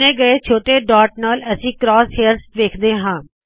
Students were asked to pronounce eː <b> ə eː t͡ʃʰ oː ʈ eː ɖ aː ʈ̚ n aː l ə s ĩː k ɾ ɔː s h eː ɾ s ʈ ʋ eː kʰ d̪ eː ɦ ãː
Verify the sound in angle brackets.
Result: incorrect: ɡ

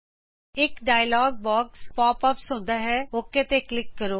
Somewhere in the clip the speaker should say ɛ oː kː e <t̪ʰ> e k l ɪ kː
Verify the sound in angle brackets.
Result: incorrect: t̪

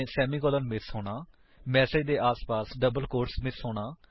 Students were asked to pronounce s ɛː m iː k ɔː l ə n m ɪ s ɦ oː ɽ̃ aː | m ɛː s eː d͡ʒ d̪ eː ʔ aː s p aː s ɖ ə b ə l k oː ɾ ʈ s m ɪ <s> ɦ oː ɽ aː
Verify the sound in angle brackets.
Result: correct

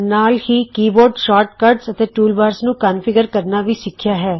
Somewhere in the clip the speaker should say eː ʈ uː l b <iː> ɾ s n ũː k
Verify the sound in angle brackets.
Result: incorrect: aː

